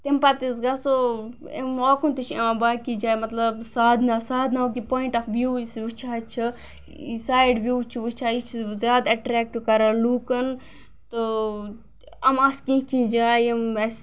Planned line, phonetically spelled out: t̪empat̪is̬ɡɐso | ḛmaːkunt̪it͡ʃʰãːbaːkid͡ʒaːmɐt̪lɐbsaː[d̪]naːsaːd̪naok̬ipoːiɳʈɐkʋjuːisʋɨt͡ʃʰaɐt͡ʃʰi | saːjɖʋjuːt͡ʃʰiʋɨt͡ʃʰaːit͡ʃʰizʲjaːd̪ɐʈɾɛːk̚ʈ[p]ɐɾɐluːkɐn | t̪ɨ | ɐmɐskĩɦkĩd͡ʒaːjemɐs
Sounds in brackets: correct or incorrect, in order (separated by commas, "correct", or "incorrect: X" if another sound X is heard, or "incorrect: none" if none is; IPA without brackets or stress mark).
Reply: correct, incorrect: k